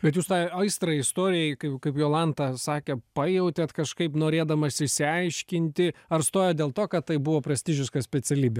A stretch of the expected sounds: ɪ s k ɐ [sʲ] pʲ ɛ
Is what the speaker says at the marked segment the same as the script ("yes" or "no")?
yes